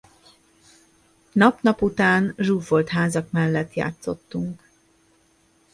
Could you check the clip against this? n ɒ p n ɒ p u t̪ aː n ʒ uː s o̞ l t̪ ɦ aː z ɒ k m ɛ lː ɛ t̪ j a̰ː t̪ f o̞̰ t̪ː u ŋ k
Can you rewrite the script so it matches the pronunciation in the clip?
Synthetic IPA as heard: n ɒ p n ɒ p u t̪ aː n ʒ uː f o̞ l t̪ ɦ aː z ɒ k m ɛ lː ɛ t̪ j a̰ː t̪ s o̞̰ t̪ː u ŋ k